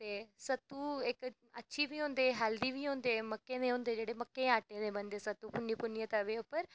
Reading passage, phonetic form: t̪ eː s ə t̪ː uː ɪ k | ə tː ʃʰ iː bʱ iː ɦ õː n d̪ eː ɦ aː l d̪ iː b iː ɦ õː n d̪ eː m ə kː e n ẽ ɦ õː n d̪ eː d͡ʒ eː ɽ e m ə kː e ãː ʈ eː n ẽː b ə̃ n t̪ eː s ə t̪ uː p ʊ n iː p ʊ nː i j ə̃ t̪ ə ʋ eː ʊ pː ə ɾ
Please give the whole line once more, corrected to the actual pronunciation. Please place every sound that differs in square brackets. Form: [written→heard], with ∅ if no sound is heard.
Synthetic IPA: t̪ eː s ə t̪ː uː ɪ k | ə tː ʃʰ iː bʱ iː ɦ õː n d̪ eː ɦ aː l d̪ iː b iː ɦ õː n d̪ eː m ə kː e n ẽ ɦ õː n d̪ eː d͡ʒ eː ɽ e m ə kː e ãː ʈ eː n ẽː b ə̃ n [t̪→d̪] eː s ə t̪ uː p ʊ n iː p ʊ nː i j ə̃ t̪ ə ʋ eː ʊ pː ə ɾ